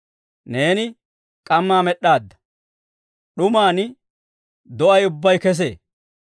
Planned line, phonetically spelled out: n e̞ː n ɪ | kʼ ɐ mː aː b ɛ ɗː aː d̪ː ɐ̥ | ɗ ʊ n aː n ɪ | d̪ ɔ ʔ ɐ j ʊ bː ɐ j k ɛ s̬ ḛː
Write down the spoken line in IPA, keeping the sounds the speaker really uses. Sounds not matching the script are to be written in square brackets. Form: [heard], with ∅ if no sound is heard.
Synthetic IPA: n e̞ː n ɪ | kʼ ɐ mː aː [m] ɛ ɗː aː d̪ː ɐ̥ | ɗ ʊ [m] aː n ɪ | d̪ ɔ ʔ ɐ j ʊ bː ɐ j k ɛ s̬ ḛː